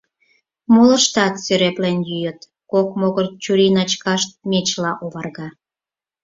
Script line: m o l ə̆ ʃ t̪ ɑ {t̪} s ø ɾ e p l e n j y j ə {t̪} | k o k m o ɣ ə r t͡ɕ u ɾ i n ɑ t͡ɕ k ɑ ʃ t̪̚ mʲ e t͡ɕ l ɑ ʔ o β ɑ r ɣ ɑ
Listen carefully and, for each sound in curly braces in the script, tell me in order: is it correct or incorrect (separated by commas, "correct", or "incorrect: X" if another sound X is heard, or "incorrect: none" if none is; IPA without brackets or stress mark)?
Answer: correct, correct